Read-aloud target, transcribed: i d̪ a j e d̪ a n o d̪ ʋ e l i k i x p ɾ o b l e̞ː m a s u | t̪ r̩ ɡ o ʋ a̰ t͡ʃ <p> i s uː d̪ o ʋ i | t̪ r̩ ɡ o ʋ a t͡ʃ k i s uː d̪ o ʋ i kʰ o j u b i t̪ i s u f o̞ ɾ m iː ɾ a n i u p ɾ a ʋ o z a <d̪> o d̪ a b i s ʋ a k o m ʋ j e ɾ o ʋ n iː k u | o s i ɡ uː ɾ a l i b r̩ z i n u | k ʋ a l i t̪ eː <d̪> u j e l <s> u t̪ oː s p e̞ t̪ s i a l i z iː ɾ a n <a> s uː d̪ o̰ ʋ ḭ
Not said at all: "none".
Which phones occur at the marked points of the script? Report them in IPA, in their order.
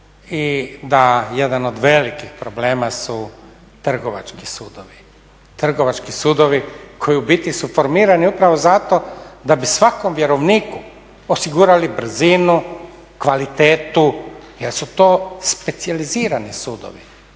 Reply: k, t̪, t̪, s, i

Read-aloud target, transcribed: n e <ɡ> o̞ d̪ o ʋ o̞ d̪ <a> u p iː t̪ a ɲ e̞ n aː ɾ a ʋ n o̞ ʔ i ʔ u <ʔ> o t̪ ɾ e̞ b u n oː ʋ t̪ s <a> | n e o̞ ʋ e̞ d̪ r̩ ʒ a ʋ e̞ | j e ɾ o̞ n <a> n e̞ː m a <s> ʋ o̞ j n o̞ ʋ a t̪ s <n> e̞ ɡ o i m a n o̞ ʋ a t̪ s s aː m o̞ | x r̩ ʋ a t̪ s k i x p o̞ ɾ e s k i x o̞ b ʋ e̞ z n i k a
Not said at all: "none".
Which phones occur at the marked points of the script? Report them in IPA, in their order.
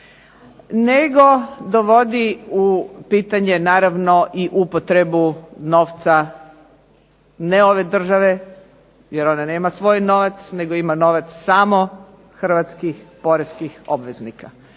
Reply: ɡ, i, p, a, a, s, n

